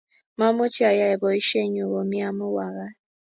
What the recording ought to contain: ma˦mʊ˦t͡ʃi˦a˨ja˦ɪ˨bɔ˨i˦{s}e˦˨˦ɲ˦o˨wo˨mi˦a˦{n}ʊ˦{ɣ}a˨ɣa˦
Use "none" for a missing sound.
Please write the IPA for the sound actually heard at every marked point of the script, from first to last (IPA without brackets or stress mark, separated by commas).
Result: ʃ, m, w